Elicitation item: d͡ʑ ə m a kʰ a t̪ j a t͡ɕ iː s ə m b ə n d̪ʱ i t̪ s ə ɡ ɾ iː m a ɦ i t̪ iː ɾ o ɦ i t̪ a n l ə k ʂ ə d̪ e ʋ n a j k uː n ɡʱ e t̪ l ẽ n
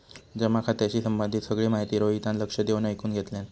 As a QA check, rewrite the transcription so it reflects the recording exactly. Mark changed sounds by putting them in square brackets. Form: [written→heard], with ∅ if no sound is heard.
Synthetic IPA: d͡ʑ ə m a kʰ a t̪ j a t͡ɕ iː s ə m b ə n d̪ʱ i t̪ s ə ɡ [ɾ→ɭ] iː m a ɦ i t̪ iː ɾ o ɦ i t̪ a n l ə k ʂ ə d̪ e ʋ n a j k uː n ɡʱ e t̪ l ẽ n